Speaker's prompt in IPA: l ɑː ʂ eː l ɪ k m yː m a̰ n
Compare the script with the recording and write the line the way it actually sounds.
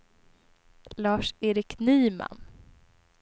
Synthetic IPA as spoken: l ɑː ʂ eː ɾ ɪ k n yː m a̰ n